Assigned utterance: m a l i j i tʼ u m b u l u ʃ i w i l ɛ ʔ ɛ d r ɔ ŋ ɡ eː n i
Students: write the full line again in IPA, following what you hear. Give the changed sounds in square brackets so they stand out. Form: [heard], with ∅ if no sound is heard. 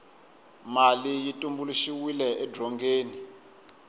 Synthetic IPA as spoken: m a l i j i tʼ u m b u l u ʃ i w i l ɛ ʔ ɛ d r ɔ ŋ ɡ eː n i

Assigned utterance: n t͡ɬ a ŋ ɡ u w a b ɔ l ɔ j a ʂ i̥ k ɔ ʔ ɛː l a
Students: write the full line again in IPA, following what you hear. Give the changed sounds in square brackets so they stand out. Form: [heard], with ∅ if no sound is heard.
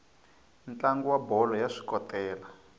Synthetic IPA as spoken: n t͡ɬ a ŋ ɡ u w a b ɔ l ɔ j a ʂ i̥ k ɔ [t] ɛː l a

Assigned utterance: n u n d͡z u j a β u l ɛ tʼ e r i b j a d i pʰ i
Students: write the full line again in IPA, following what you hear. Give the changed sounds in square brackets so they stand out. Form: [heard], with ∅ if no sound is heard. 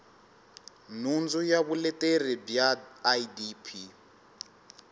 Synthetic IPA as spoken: n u n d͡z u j a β u l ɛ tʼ e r i b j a d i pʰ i

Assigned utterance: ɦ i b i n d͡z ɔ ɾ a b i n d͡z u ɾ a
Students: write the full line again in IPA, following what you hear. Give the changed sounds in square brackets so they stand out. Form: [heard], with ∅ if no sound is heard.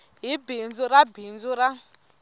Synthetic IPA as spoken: ɦ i b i n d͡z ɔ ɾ a b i n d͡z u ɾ a

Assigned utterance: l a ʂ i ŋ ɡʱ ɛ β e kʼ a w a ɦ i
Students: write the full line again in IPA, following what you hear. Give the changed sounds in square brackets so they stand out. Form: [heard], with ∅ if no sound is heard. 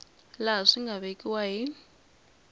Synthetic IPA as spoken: l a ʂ i ŋ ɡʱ [a] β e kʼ [i] w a ɦ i

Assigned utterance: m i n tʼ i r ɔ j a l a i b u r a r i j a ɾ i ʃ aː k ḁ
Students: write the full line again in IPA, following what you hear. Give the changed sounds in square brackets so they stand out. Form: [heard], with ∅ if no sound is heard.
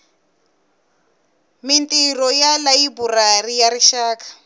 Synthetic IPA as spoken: m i n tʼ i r ɔ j a l a i b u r a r i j a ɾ i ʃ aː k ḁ

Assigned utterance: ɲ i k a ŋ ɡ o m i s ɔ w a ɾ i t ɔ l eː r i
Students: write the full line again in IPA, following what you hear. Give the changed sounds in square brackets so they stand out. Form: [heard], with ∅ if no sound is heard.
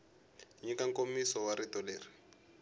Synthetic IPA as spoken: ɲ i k a ŋ [k] o m i s ɔ w a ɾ i t ɔ l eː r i

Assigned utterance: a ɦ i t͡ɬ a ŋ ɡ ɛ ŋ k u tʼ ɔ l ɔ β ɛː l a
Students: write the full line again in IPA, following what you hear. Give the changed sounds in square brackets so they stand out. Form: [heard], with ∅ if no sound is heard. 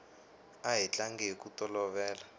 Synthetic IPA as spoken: a ɦ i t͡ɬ a ŋ ɡ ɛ [∅] k u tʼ ɔ l ɔ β ɛː l a

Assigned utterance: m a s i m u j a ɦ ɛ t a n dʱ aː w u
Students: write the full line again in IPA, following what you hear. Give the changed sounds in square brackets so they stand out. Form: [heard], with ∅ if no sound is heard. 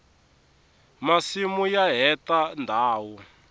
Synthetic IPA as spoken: m a s i m u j a ɦ ɛ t a n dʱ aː w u

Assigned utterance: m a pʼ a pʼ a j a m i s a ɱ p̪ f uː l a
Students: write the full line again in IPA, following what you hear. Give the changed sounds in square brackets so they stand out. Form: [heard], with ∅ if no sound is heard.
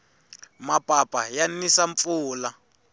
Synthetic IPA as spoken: m a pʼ a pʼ a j a [n] i s a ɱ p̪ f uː l a

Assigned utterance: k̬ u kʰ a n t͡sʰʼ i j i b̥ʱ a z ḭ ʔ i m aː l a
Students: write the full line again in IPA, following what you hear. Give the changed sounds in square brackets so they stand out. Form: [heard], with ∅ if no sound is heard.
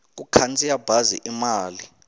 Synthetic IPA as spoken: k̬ u kʰ a n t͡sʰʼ i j [a] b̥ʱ a z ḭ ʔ i m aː l [i]

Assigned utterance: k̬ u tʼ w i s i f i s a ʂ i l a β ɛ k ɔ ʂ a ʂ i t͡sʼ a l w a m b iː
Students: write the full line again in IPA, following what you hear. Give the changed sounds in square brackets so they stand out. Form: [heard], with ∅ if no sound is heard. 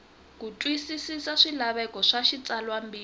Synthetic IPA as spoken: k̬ u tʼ w i s i [s] i s a ʂ i l a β ɛ k ɔ ʂ a [ʃ] i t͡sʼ a l w a m b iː

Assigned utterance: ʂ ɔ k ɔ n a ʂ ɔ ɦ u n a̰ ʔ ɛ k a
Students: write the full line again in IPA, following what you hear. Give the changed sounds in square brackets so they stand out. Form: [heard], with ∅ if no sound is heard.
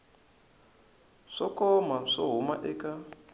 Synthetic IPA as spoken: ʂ ɔ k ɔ [m] a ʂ ɔ ɦ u [m] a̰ ʔ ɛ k a

